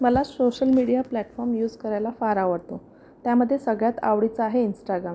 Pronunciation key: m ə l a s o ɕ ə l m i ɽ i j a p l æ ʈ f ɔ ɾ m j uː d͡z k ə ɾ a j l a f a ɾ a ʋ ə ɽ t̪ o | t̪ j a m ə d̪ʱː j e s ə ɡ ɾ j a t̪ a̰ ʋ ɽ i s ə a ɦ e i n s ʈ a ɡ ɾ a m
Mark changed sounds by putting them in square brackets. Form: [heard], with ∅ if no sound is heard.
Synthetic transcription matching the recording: m ə l a s o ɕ ə l m i ɽ i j a p l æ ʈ f ɔ ɾ m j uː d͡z k ə ɾ a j l a f a ɾ a ʋ ə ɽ t̪ o | t̪ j a m ə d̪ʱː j e s ə ɡ [ɭ] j a t̪ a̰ ʋ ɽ i [t͡s] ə a ɦ e i n s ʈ a ɡ ɾ a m